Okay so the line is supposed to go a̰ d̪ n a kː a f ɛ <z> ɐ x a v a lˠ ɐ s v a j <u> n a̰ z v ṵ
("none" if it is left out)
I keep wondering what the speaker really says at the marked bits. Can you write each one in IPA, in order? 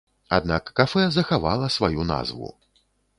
z, u

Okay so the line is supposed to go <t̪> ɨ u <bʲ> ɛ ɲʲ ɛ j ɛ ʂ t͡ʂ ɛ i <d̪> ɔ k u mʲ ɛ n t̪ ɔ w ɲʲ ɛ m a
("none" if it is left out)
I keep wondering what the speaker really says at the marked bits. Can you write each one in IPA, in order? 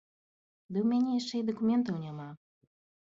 d̪, mʲ, d̪

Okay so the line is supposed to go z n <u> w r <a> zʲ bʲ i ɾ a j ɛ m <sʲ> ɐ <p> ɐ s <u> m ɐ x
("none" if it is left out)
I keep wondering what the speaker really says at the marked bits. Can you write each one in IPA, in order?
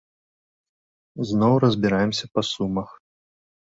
ɔ, ɐ, sʲ, p, u

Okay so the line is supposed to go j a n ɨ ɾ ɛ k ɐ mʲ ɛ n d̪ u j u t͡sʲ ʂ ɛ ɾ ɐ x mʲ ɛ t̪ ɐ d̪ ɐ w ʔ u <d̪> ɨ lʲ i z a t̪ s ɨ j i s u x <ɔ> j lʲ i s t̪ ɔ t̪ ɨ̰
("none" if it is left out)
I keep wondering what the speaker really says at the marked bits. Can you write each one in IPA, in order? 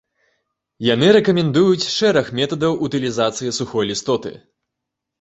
t̪, ɔ

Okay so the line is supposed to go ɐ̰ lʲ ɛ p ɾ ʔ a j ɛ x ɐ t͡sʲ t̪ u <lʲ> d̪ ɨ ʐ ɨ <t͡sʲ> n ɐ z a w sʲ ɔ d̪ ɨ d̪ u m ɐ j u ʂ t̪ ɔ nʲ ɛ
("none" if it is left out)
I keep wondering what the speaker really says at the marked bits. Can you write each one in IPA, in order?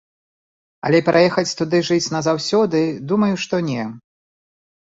none, t͡sʲ

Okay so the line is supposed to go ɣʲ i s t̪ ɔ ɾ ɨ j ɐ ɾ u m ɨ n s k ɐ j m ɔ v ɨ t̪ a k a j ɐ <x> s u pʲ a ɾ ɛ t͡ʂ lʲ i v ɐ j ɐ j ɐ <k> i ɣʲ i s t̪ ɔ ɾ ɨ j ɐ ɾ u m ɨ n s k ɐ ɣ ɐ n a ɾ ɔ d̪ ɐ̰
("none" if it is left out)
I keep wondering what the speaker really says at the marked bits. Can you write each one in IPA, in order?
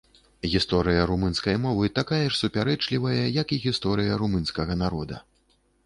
ʂ, k

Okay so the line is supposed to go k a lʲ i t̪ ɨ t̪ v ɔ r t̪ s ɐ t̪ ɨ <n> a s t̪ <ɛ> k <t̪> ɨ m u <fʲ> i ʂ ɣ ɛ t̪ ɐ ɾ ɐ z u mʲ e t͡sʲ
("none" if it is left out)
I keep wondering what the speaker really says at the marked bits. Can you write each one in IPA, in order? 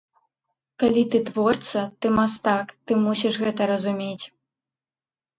m, a, t̪, sʲ

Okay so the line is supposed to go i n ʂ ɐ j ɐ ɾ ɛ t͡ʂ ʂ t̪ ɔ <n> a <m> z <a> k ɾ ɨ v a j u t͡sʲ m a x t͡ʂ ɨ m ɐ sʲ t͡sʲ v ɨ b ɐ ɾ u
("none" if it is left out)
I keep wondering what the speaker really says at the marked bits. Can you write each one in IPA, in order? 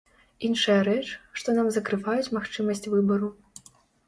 n, m, ɐ

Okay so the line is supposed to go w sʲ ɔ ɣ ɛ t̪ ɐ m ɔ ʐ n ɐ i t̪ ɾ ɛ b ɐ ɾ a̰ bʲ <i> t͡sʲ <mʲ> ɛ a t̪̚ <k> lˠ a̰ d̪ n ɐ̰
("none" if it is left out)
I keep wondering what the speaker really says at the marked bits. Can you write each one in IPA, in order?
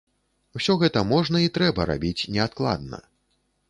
i, nʲ, k

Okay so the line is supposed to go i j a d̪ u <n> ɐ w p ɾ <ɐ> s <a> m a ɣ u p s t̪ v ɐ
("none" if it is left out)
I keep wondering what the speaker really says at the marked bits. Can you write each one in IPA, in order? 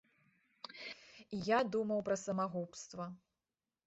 m, ɐ, ɐ

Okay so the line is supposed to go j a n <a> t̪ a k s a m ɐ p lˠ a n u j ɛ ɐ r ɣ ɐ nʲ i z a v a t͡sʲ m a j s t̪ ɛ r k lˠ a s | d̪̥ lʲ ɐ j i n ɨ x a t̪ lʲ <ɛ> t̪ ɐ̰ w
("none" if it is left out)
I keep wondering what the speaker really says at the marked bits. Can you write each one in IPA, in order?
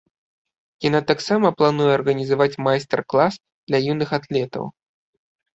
a, ɛ

